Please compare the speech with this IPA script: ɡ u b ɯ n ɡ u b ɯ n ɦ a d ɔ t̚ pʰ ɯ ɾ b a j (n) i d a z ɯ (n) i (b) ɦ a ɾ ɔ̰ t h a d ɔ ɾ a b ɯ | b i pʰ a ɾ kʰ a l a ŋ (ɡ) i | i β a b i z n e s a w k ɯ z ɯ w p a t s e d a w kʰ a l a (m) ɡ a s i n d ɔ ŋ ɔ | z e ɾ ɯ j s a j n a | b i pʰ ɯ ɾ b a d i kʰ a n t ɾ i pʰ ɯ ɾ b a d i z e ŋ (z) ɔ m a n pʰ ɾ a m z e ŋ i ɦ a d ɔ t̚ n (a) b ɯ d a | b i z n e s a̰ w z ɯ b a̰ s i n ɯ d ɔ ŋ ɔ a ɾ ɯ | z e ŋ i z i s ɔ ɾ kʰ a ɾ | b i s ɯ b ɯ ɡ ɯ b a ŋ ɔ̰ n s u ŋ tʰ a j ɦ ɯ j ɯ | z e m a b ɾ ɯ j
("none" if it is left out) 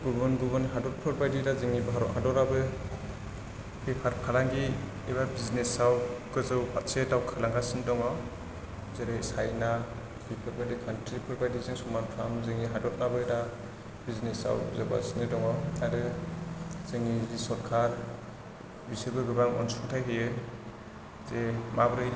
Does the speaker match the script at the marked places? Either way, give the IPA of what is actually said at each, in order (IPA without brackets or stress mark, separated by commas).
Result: d, ŋ, b, ɡ, ŋ, s, a